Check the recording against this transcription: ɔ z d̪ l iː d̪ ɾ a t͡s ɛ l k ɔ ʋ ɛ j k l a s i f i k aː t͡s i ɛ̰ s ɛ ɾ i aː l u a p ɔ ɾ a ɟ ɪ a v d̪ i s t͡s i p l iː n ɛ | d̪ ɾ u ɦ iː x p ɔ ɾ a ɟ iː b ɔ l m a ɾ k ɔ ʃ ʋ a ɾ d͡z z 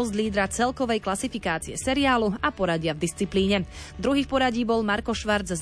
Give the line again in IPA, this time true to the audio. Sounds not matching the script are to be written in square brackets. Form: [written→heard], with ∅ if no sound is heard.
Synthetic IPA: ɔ z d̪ l iː d̪ ɾ a t͡s ɛ l k ɔ ʋ ɛ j k l a s i f i k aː t͡s i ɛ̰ s ɛ ɾ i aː l u a p ɔ ɾ a ɟ ɪ a v d̪ i s t͡s i p l iː [n→ɲ] ɛ | d̪ ɾ u ɦ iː x p ɔ ɾ a ɟ iː b ɔ l m a ɾ k ɔ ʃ ʋ a ɾ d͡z z